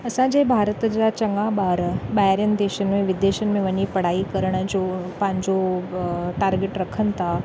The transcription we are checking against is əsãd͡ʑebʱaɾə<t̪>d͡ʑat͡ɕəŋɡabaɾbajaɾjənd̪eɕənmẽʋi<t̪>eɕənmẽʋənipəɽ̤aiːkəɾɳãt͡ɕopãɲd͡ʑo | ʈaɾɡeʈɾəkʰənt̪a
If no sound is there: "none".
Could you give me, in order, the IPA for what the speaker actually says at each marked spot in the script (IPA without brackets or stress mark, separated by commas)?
t̪, d̪